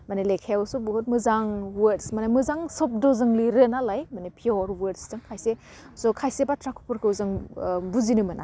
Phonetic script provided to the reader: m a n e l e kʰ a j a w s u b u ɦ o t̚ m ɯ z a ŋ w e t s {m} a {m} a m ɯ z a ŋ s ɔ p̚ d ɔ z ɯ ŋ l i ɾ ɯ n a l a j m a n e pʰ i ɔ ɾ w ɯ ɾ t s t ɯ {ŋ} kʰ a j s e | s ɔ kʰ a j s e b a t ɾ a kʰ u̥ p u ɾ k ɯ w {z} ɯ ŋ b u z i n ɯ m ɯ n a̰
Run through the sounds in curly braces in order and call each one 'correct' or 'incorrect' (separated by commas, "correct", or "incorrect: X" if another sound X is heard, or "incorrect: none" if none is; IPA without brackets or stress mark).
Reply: correct, incorrect: n, correct, correct